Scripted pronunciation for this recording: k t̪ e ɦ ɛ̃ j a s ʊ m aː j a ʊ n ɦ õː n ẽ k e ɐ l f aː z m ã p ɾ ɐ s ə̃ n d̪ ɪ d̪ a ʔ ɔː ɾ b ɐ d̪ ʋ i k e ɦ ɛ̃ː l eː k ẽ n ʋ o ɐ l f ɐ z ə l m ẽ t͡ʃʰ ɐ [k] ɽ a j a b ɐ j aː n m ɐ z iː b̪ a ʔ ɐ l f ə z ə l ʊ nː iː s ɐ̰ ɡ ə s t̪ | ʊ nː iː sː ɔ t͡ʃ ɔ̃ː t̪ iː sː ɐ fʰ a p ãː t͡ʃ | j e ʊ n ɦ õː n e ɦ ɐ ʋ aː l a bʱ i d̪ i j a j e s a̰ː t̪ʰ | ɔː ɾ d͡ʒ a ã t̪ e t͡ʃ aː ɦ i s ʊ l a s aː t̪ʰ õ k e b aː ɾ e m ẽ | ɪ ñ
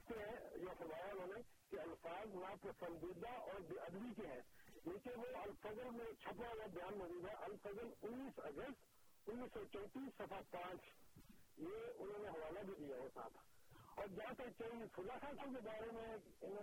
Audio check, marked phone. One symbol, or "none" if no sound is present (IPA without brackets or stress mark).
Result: p